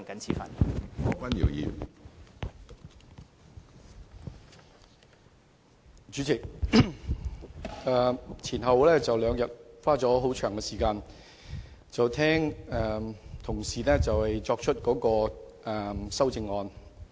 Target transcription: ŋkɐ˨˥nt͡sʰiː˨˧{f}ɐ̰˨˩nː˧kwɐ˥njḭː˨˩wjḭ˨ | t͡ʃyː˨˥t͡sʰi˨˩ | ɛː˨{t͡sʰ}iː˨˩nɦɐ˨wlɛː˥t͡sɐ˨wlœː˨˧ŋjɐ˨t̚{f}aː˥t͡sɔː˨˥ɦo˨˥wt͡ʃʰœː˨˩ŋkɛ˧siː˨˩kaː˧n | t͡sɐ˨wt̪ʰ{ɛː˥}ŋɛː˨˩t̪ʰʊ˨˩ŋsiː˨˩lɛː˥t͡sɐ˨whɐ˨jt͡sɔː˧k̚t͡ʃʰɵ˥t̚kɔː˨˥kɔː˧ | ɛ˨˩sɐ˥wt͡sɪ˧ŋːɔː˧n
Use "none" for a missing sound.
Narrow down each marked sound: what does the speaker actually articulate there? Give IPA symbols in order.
f, t͡sʰ, f, ɛː˥

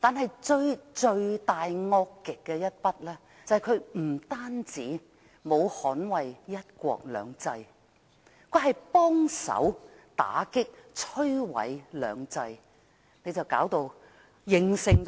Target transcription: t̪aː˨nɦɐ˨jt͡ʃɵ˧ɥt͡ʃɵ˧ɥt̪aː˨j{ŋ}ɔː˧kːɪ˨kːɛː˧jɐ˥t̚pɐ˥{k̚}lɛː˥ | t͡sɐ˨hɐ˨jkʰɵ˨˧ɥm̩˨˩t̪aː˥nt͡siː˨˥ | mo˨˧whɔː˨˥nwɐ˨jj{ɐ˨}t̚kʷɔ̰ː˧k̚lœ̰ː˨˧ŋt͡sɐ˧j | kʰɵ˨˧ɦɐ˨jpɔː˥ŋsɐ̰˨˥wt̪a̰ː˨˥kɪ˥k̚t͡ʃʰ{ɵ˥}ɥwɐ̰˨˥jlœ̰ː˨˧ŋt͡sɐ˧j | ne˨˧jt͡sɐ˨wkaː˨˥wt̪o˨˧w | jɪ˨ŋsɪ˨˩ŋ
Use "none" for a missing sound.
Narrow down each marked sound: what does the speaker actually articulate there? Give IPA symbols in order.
ŋ, t̚, ɐ˥, ɵ˥

